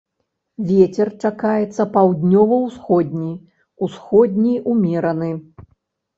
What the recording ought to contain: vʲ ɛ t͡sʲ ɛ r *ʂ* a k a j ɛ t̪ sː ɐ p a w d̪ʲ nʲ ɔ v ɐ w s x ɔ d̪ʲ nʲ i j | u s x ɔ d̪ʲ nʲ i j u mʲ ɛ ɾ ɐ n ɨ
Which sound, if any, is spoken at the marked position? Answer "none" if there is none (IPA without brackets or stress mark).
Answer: t͡ʂ